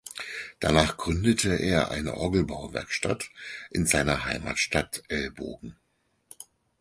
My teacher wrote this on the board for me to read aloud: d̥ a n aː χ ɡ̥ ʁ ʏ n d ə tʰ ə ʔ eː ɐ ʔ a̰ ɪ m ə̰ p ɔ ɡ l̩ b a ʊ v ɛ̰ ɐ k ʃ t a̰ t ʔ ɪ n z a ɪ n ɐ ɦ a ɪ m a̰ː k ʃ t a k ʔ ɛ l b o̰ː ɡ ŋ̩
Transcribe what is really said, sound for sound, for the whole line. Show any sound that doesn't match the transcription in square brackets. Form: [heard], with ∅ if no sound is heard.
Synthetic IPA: d̥ a n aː χ ɡ̥ ʁ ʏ n d ə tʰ ə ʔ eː ɐ ʔ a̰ ɪ [n] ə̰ [ʔ] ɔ ɡ l̩ b a ʊ v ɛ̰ ɐ k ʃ t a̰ t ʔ ɪ n z a ɪ n ɐ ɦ a ɪ m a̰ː [t] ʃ t a [t] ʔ ɛ l b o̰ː ɡ ŋ̩

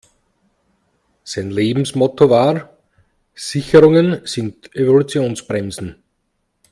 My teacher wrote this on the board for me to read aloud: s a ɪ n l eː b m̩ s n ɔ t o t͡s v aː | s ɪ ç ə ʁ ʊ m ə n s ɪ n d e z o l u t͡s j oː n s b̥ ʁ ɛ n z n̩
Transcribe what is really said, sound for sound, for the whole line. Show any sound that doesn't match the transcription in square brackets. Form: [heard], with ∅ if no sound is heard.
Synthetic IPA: s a ɪ n l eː b m̩ s [m] ɔ t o [∅] v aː | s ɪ ç ə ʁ ʊ [ŋ] ə n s ɪ n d e [v] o l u t͡s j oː n s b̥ ʁ ɛ [m] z n̩

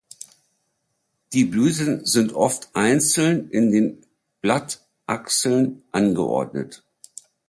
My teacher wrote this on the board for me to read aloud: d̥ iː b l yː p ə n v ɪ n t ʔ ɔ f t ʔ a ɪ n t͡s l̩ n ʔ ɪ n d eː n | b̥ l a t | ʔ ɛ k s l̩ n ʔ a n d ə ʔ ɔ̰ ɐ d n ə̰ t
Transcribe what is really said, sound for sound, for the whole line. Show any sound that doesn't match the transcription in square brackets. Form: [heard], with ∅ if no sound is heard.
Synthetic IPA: d̥ iː b l yː [t] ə n [z] ɪ n t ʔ ɔ f t ʔ a ɪ n t͡s l̩ n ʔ ɪ n d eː n | b̥ l a t | ʔ [a] k s l̩ n ʔ a n [ɡ] ə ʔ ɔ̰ ɐ d n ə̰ t

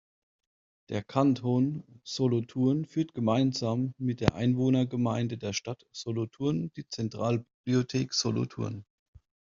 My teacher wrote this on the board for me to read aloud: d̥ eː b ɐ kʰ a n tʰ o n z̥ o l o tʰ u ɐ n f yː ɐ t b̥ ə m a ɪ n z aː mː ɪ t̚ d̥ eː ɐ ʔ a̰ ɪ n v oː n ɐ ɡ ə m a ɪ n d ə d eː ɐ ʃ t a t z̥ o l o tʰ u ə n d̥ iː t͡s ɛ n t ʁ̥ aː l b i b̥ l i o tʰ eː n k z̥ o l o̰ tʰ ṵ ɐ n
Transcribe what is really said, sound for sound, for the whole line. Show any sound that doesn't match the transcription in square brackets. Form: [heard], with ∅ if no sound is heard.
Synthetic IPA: d̥ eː [∅] ɐ kʰ a n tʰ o n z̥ o l o tʰ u ɐ n f yː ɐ t [ɡ̥] ə m a ɪ n z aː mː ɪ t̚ d̥ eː ɐ ʔ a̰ ɪ n v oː n ɐ ɡ ə m a ɪ n d ə d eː ɐ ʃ t a t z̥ o l o tʰ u [ɐ] n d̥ iː t͡s ɛ n t ʁ̥ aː l b i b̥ l i o tʰ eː [∅] k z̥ o l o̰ tʰ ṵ ɐ n

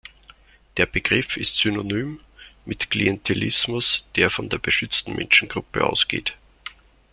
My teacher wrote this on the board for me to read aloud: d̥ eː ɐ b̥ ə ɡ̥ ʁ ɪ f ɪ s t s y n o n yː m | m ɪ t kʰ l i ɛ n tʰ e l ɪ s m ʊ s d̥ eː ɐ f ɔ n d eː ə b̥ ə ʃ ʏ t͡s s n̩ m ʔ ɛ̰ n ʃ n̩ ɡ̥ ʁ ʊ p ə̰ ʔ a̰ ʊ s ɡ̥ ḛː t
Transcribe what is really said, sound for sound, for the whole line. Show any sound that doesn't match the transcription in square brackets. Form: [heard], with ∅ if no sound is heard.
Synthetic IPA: d̥ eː ɐ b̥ ə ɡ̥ ʁ ɪ f ɪ s t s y n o n yː m | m ɪ t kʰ l i ɛ n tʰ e l ɪ s m ʊ s d̥ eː ɐ f ɔ n d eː [ɐ] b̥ ə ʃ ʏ t͡s [t] n̩ m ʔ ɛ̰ n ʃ n̩ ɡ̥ ʁ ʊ p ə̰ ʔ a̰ ʊ s ɡ̥ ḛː t

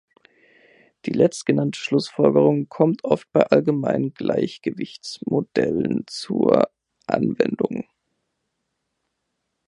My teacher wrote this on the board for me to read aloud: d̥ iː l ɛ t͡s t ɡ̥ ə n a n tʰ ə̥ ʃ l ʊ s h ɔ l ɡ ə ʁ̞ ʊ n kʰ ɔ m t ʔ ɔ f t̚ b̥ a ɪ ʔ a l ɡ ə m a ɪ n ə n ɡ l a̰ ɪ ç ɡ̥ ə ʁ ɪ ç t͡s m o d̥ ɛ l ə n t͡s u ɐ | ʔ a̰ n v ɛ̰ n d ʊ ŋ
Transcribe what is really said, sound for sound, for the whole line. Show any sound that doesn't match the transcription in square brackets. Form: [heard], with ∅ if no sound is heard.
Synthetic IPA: d̥ iː l ɛ t͡s t ɡ̥ ə n a n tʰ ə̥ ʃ l ʊ s [f] ɔ l ɡ ə ʁ̞ ʊ [ŋ] kʰ ɔ m t ʔ ɔ f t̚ b̥ a ɪ ʔ a l ɡ ə m a ɪ n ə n ɡ l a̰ ɪ ç ɡ̥ ə [v] ɪ ç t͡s m o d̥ ɛ l ə n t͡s u ɐ | ʔ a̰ n v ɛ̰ n d ʊ ŋ

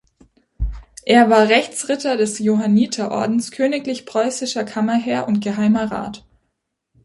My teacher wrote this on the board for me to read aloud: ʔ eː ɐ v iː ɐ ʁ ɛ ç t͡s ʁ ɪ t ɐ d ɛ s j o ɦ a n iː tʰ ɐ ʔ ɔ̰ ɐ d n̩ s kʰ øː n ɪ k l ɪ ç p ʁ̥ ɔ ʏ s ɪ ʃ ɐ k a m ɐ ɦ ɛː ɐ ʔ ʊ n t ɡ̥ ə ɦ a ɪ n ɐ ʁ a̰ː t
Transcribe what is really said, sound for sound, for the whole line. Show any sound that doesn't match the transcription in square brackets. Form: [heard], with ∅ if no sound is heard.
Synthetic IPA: ʔ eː ɐ v [aː] ɐ ʁ ɛ ç t͡s ʁ ɪ t ɐ d ɛ s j o ɦ a n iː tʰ ɐ ʔ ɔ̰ ɐ d n̩ s kʰ øː n ɪ k l ɪ ç p ʁ̥ ɔ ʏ s ɪ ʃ ɐ [kʰ] a m ɐ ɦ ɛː ɐ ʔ ʊ n t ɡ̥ ə ɦ a ɪ [m] ɐ ʁ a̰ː t

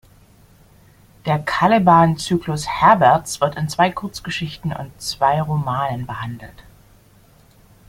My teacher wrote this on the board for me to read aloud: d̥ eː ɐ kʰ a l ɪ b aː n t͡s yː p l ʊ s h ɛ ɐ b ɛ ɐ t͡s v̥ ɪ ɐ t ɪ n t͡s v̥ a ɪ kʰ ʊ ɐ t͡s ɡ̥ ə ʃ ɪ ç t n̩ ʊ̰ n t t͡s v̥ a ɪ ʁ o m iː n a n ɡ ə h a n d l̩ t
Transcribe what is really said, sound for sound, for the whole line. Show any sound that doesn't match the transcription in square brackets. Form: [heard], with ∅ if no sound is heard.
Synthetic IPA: d̥ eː ɐ kʰ a l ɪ b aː n t͡s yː [k] l ʊ s h ɛ ɐ b ɛ ɐ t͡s v̥ ɪ ɐ t ɪ n t͡s v̥ a ɪ kʰ ʊ ɐ t͡s ɡ̥ ə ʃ ɪ ç t n̩ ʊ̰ n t t͡s v̥ a ɪ ʁ o m [aː] n [ə] n [b] ə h a n d l̩ t

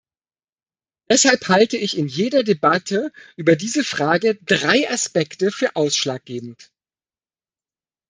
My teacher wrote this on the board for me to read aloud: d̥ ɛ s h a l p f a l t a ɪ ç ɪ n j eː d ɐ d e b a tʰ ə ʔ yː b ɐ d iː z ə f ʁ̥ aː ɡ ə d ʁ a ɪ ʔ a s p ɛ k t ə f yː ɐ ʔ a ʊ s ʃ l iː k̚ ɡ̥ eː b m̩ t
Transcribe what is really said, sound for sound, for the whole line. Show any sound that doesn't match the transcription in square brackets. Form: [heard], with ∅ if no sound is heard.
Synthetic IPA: d̥ ɛ s h a l p [h] a l t [ə] ɪ ç ɪ n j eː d ɐ d e b a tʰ ə ʔ yː b ɐ d iː z ə f ʁ̥ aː ɡ ə d ʁ a ɪ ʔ a s p ɛ k t ə f yː ɐ ʔ a ʊ s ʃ l [aː] k̚ ɡ̥ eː b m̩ t

